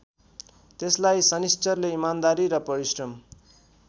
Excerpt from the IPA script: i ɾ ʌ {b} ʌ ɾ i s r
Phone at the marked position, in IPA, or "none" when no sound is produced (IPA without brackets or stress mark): p